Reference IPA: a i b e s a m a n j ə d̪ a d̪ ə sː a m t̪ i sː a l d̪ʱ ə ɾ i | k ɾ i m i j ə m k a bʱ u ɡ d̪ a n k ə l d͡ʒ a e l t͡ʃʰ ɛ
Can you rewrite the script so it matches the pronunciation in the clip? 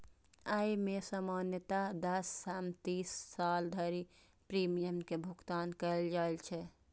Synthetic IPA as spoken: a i m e s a m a n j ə t̪ a d̪ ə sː a m t̪ i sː a l d̪ʱ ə ɾ i | p ɾ i m i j ə m k e bʱ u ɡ t̪ a n k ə l d͡ʒ a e l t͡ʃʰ ɛ